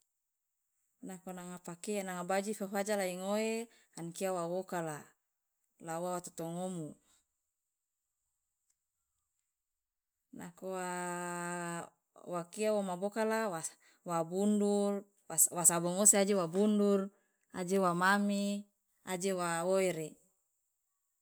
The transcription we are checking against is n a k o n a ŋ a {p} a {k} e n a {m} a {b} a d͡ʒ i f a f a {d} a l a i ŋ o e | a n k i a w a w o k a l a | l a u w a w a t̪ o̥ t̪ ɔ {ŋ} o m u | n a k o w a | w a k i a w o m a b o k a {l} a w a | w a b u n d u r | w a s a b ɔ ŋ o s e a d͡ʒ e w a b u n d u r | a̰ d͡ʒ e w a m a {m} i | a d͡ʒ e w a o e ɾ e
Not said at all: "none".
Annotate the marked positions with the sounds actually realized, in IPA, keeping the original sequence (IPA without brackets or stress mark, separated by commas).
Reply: p, k, ŋ, b, d͡ʒ, ŋ, l, m